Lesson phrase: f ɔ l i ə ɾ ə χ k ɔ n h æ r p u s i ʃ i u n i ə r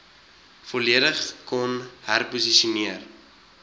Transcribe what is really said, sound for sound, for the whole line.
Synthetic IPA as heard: f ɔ l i ə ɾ ə χ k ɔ n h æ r p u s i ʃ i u n i ə r